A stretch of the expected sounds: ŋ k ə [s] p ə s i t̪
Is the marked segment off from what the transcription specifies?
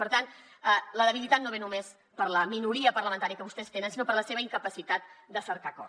yes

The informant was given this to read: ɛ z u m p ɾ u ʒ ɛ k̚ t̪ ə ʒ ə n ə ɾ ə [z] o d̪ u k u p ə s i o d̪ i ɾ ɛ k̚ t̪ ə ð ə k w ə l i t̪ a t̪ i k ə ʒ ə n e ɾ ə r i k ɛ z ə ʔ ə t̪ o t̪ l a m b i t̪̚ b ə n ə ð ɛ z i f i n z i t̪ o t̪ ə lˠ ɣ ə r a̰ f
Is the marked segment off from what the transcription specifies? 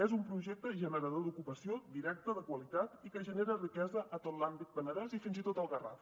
yes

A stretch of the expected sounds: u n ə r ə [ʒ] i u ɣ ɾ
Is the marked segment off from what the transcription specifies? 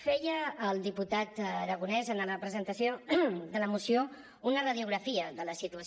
yes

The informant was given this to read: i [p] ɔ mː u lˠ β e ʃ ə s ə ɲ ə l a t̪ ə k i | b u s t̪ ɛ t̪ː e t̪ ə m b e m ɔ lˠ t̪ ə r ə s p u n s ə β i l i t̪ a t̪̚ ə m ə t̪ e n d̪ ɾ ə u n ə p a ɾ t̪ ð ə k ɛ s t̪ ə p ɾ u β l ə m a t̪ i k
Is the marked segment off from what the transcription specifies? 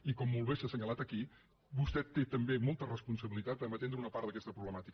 yes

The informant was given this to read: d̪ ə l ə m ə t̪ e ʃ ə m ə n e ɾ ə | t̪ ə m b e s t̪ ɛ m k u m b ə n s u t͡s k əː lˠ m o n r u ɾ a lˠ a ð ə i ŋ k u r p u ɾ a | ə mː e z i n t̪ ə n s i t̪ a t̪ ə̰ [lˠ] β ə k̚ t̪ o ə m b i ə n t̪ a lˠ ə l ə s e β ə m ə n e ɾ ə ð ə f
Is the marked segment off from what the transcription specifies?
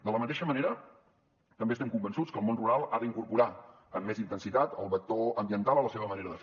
no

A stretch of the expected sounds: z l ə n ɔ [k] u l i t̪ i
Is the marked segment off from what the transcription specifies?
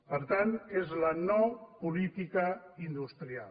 yes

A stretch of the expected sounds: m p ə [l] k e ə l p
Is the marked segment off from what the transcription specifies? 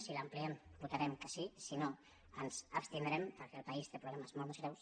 yes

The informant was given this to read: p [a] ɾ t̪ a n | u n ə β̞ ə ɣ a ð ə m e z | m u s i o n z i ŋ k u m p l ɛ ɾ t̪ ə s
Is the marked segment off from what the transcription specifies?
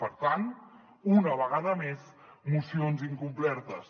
yes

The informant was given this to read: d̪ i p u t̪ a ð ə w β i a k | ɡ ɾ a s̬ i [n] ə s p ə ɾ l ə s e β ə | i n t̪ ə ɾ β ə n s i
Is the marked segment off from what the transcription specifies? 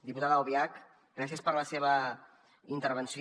yes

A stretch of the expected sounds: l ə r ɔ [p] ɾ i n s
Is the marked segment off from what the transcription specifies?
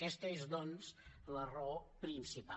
no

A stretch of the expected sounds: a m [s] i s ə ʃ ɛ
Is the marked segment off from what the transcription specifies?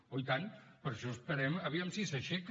no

